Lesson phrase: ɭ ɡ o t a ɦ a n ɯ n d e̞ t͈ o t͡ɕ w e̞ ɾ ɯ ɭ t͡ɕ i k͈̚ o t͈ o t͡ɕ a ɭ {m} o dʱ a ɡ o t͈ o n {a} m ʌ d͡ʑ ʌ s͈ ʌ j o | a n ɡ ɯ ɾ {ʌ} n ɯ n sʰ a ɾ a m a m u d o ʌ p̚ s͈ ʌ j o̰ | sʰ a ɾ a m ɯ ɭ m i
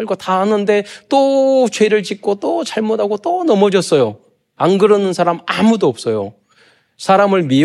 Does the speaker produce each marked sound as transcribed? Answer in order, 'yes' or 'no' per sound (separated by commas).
yes, no, yes